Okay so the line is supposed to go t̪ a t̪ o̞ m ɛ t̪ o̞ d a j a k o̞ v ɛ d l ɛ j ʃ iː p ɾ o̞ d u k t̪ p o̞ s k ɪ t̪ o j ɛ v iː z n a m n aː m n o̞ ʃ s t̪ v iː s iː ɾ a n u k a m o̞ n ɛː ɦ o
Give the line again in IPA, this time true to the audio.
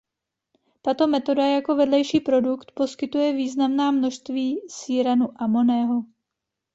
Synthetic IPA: t̪ a t̪ o̞ m ɛ t̪ o̞ d a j a k o̞ v ɛ d l ɛ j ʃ iː p ɾ o̞ d u k t̪ p o̞ s k ɪ t̪ u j ɛ v iː z n a m n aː m n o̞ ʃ s t̪ v iː s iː ɾ a n u ʔ a m o̞ n ɛː ɦ o